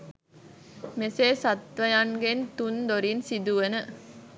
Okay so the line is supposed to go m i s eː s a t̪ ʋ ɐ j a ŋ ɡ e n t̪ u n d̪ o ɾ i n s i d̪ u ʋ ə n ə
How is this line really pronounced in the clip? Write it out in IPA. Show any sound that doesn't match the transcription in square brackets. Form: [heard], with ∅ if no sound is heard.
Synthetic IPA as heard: m [e] s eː s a t̪ ʋ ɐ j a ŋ ɡ e n t̪ u n d̪ o ɾ i n s i d̪ u ʋ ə n ə